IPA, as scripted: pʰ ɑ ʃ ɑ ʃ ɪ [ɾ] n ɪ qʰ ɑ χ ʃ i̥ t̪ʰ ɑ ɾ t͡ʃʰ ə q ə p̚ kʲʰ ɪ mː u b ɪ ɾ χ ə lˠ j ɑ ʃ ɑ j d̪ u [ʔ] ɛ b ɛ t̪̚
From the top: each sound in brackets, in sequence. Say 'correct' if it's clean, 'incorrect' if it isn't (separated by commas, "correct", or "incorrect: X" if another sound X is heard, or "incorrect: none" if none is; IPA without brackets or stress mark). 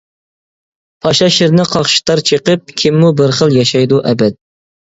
correct, correct